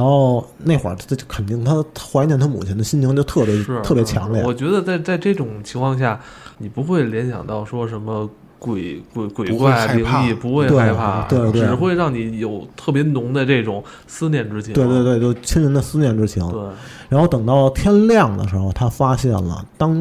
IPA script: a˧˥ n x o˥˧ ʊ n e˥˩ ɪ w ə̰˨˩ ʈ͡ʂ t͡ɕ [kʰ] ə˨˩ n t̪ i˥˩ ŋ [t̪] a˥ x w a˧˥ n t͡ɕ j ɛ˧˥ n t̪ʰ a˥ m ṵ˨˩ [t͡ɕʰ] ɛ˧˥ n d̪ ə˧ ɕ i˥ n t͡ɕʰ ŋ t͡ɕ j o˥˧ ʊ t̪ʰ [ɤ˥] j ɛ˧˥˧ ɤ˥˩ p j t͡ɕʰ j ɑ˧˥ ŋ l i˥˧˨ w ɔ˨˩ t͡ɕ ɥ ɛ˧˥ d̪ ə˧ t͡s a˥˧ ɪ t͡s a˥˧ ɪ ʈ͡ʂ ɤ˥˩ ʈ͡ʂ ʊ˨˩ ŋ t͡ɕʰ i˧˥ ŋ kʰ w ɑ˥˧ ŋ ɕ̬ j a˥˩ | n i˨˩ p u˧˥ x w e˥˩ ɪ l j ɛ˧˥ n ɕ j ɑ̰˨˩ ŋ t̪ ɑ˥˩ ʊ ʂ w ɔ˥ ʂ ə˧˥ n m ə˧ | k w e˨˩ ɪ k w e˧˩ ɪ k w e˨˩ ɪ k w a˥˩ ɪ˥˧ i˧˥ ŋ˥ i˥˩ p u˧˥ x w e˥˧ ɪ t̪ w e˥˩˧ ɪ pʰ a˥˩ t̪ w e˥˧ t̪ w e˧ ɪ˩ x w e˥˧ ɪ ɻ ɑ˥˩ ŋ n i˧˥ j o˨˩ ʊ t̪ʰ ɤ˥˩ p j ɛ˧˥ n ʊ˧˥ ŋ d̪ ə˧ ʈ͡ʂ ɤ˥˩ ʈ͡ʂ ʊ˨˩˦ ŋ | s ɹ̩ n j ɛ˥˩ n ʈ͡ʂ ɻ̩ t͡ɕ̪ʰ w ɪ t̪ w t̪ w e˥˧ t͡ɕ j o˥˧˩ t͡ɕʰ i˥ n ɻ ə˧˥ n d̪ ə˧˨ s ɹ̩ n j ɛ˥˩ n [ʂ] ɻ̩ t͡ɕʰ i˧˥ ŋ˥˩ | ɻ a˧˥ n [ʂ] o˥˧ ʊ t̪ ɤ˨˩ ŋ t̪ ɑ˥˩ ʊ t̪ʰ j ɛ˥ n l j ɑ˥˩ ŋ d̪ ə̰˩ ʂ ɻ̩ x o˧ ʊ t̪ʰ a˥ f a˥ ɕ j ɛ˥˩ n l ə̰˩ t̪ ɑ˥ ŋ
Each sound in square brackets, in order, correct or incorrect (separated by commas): correct, incorrect, correct, incorrect, incorrect, incorrect